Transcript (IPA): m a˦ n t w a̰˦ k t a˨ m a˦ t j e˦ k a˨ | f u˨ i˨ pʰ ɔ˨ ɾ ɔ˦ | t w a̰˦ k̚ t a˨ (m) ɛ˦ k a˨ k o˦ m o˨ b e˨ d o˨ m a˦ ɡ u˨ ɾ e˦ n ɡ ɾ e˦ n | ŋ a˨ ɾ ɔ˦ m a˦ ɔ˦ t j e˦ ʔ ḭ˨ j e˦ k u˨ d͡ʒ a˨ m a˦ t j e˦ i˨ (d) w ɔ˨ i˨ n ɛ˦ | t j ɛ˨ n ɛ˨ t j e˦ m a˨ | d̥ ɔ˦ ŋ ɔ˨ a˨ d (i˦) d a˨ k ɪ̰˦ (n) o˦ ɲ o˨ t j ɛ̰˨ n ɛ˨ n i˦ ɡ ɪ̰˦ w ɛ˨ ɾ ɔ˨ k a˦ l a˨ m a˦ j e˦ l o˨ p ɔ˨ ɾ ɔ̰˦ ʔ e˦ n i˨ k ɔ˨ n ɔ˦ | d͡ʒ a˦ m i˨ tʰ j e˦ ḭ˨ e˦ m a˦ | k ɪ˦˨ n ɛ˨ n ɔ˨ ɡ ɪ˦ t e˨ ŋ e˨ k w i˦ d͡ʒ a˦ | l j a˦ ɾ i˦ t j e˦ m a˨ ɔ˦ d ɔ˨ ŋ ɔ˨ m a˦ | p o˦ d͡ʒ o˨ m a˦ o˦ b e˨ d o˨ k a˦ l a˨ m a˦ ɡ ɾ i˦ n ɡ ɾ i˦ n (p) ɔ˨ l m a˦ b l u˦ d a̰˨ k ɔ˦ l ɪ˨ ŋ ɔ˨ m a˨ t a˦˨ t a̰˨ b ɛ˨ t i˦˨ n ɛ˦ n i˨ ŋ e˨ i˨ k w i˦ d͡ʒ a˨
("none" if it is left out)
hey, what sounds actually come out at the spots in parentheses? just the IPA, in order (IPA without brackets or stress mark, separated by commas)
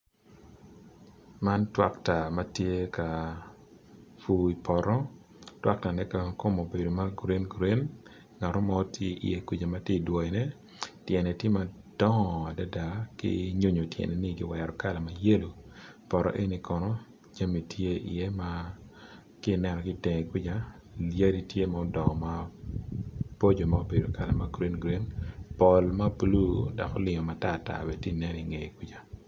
n, d, a˦, ɲ, p